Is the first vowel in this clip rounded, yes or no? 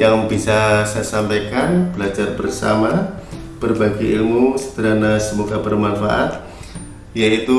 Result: no